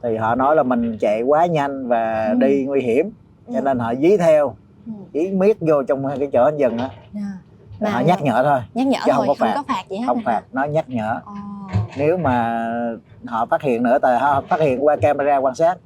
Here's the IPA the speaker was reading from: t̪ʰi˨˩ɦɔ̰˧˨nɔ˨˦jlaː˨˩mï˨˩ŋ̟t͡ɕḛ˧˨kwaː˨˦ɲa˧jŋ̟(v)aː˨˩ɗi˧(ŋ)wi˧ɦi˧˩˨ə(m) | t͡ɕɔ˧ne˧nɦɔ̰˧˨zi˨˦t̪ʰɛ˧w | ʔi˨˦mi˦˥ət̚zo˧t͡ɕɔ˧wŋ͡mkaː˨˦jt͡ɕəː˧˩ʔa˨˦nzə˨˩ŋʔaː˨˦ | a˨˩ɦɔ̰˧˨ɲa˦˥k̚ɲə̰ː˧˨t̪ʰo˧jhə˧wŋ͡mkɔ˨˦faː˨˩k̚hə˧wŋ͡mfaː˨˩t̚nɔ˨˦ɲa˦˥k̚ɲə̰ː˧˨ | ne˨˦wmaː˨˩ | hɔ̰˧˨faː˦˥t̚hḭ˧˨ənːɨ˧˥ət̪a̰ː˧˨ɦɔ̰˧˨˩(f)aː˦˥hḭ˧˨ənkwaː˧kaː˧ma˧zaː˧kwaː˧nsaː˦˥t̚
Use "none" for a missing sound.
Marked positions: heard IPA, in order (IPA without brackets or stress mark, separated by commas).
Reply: v, ŋ, m, f